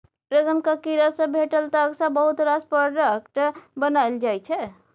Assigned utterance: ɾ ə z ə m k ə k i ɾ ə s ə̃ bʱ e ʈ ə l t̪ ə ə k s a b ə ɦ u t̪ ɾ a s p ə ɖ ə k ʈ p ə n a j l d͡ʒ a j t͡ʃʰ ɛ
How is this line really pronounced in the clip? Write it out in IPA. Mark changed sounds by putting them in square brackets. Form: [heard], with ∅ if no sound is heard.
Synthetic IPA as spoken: ɾ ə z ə m k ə k i ɾ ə s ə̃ bʱ e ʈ ə l t̪ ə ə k s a b ə ɦ u t̪ ɾ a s p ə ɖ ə k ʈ [b] ə n a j l d͡ʒ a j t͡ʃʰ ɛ